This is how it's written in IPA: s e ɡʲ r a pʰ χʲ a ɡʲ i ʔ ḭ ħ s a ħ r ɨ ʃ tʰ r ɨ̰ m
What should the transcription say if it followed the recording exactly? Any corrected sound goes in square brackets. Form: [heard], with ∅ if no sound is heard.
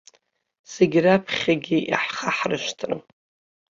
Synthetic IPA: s e ɡʲ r a pʰ χʲ a ɡʲ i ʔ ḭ ħ [χ] a ħ r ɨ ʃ tʰ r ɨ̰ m